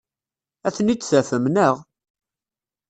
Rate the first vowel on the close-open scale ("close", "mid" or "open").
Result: open